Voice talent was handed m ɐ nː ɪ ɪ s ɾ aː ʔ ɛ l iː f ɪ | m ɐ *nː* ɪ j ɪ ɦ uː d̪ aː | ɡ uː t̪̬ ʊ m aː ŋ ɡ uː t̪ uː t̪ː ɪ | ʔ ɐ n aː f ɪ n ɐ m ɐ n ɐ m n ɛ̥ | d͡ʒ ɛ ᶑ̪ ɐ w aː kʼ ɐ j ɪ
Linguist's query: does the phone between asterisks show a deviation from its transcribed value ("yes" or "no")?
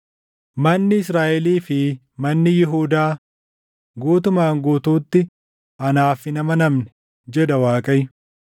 no